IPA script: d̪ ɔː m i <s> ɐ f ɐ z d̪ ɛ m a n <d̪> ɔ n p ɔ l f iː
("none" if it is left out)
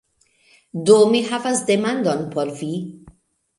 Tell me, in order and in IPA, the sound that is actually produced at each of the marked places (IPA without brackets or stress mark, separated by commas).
ħ, d̪